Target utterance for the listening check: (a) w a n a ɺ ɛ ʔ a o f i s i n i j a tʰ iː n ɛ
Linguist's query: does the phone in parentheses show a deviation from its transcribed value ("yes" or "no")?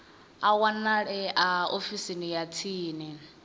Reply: no